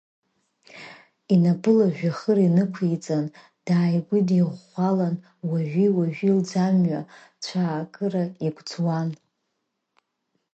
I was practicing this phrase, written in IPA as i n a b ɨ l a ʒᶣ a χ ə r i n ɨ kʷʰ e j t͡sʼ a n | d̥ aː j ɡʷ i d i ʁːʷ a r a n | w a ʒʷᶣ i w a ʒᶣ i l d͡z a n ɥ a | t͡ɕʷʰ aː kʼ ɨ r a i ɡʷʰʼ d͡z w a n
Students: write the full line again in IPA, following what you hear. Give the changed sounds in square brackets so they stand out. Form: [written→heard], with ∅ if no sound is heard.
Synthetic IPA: i n a b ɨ l a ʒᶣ a χ ə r i n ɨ kʷʰ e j t͡sʼ a n | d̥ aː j ɡʷ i d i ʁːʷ a [r→l] a n | w a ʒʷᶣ i w a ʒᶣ i l d͡z a [n→m] ɥ a | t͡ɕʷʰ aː kʼ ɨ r a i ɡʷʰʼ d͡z w a n